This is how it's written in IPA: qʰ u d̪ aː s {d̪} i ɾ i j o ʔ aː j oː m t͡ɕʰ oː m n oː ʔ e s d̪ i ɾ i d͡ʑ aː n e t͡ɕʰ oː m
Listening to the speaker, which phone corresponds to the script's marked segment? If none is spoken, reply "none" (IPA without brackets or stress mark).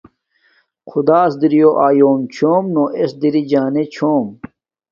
d̪